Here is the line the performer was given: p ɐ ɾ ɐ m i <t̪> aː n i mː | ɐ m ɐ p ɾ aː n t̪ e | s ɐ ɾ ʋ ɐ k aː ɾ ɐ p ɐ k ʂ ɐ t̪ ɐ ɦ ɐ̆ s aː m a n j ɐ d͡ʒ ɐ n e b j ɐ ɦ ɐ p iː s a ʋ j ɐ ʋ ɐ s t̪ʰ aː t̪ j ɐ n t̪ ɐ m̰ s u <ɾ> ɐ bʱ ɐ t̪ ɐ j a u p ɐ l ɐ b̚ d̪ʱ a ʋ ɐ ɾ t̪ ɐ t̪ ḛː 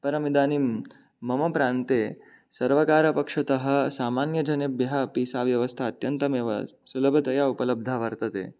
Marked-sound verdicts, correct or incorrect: incorrect: d̪, incorrect: l

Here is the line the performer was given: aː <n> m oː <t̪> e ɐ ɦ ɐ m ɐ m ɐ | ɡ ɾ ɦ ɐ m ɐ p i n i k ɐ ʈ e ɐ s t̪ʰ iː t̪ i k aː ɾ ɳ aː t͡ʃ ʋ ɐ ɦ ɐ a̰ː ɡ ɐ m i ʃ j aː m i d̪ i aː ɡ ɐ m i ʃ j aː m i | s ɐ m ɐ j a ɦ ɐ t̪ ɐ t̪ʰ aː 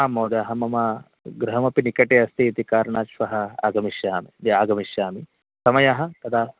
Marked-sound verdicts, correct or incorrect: incorrect: none, incorrect: d̪

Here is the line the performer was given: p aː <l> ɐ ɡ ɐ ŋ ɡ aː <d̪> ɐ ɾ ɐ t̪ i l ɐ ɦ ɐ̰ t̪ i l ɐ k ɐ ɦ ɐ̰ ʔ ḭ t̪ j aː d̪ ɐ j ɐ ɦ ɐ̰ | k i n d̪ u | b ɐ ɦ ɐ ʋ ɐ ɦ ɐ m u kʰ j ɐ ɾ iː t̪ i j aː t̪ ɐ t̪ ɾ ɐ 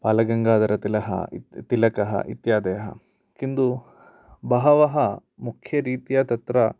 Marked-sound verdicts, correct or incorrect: correct, correct

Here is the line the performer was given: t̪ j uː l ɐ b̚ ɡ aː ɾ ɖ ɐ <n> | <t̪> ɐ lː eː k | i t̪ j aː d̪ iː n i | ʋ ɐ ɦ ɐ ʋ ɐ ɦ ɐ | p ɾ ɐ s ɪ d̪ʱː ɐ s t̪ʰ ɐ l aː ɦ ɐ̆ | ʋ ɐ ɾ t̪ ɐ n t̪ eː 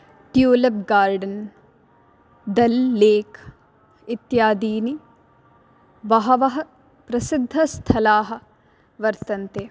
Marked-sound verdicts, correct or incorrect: correct, incorrect: d̪

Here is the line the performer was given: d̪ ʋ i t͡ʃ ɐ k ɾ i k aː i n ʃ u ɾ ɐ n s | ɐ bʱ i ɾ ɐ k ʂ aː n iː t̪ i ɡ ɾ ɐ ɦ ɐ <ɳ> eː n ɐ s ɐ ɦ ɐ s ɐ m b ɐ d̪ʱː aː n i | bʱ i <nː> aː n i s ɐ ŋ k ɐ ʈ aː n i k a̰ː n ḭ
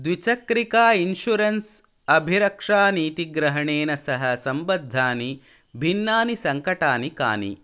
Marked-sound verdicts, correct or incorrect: correct, correct

